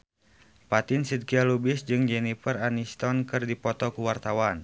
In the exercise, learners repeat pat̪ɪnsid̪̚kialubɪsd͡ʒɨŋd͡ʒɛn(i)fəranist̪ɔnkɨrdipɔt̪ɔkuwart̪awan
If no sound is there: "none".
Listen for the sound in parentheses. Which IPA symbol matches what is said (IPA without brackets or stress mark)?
i